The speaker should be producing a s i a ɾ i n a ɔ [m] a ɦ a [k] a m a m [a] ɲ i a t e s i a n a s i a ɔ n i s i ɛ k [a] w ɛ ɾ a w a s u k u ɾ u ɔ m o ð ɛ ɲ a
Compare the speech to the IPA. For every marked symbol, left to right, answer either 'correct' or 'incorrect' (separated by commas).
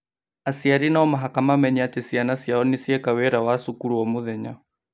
correct, correct, incorrect, correct